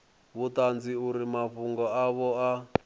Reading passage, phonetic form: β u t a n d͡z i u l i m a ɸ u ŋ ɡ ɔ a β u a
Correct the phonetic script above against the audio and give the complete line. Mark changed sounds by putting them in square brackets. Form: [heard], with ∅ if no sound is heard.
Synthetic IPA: β u t a n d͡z i u [ɾ] i m a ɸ u ŋ ɡ ɔ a β [ɔ] a